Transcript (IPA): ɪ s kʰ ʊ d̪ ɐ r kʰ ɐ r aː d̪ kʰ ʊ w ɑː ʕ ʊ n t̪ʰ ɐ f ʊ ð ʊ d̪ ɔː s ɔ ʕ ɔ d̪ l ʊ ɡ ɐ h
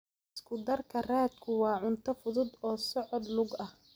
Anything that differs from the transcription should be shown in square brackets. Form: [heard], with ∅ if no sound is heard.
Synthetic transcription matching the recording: ɪ s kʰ ʊ d̪ ɐ r kʰ ɐ r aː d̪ kʰ ʊ w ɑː ʕ ʊ n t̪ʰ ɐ f ʊ ð ʊ d̪ ɔː s ɔ ʕ ɔ d̪ l ʊ ɡ ɐ h